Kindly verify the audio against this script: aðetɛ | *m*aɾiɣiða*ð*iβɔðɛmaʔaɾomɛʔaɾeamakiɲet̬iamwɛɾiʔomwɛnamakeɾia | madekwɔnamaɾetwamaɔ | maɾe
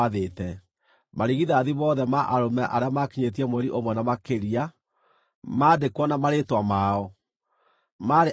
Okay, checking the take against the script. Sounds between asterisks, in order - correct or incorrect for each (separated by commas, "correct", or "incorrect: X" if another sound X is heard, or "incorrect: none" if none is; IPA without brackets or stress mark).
correct, correct